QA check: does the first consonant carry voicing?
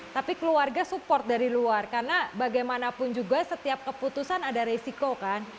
no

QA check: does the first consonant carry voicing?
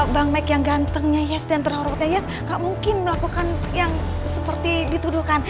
yes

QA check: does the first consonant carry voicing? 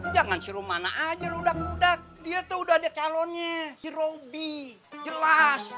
yes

